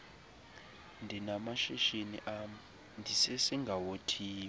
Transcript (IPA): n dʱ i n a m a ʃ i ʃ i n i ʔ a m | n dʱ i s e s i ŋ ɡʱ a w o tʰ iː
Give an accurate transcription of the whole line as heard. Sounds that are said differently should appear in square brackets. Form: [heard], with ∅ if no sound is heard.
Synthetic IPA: n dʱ i n a m a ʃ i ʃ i n i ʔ a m | n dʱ i s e s i ŋ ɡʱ a w o tʰ iː